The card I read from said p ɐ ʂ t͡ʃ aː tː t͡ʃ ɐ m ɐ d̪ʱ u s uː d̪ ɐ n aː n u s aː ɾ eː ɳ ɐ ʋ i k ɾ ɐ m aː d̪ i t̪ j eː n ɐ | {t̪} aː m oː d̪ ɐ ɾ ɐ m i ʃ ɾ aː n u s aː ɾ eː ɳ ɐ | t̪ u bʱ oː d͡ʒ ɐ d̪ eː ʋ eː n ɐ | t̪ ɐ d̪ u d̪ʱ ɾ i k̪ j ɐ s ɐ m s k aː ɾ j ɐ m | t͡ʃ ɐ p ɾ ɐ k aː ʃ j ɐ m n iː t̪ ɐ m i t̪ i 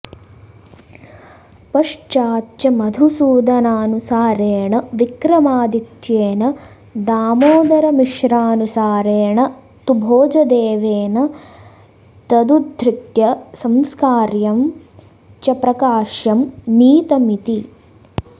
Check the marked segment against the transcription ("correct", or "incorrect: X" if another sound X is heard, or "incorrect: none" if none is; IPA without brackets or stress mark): incorrect: d̪